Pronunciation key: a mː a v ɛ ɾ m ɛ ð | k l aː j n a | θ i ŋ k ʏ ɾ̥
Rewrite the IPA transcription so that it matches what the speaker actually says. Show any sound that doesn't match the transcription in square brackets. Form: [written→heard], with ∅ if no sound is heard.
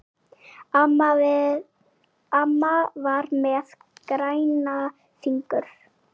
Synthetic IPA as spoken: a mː a v [ɛ→a] ɾ m ɛ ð | k [l→ɾ] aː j n a | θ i ŋ k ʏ ɾ̥